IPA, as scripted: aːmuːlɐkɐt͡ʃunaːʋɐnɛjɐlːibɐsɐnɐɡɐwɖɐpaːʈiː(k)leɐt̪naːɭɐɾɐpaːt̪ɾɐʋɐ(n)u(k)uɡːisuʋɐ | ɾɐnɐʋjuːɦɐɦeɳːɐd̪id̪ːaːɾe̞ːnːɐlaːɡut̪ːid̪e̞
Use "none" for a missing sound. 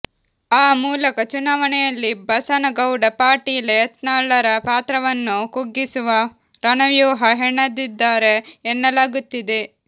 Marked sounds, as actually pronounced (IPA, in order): none, nː, k

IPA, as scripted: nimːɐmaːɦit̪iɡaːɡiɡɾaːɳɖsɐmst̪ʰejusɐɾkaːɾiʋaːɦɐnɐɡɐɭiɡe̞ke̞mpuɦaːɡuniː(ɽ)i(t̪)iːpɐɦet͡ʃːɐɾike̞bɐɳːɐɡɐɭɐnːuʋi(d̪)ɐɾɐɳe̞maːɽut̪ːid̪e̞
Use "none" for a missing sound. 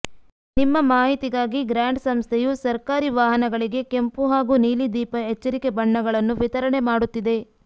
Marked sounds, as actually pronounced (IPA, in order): l, d̪, t̪

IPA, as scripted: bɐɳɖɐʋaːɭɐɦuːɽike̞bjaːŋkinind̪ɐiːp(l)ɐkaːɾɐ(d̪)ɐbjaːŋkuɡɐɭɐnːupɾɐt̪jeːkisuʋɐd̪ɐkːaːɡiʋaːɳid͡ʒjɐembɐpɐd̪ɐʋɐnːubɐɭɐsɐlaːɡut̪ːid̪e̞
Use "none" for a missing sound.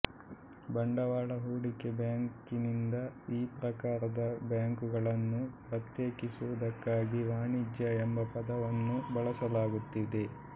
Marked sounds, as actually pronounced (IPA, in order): ɾ, d̪

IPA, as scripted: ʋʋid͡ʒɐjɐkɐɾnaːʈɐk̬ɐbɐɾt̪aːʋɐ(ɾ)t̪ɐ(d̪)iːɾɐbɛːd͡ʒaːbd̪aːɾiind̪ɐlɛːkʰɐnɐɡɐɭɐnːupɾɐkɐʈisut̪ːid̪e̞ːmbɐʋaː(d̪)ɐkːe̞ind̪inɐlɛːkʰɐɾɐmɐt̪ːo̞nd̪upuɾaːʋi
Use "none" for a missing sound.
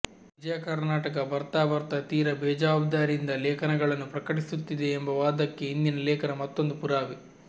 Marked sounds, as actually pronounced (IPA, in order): ɾ, t̪, d̪

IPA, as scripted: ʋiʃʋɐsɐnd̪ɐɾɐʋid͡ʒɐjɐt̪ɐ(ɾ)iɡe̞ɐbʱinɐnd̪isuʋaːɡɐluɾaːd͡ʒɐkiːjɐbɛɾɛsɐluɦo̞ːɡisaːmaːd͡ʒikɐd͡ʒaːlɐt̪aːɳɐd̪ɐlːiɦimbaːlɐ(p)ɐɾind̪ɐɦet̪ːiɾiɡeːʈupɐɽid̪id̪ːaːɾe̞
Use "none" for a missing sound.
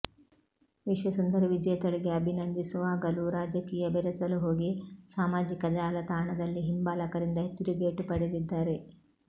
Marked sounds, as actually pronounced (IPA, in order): ɭ, k

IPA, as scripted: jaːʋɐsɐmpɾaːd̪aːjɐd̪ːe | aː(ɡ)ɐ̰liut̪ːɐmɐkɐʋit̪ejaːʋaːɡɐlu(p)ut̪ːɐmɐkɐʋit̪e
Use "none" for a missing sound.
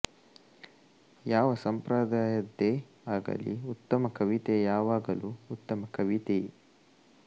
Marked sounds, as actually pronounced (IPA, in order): ɡ, none

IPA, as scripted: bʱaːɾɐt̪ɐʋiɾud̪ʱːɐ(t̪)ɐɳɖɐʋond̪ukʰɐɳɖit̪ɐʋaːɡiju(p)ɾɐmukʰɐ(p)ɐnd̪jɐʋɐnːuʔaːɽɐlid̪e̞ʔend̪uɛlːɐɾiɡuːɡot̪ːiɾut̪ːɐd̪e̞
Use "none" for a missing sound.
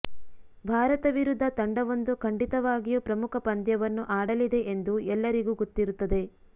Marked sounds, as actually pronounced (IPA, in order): t̪, p, p

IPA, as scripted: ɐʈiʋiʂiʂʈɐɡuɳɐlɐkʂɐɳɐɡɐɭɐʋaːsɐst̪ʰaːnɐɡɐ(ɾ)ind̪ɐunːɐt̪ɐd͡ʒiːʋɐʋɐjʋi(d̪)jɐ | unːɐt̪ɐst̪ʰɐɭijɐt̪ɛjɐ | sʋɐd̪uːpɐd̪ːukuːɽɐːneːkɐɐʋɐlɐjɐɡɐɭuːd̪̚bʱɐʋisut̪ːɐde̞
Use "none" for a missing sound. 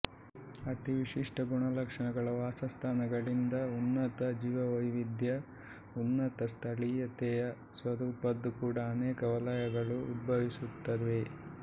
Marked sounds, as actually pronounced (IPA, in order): ɭ, d̪

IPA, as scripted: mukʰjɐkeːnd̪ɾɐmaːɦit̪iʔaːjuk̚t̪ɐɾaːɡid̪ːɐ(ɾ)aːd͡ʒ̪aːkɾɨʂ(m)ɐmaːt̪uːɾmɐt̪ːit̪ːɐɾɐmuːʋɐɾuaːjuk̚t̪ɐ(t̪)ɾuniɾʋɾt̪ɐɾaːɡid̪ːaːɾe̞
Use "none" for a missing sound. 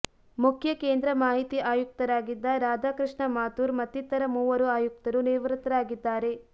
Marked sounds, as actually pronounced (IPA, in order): ɾ, ɳ, none

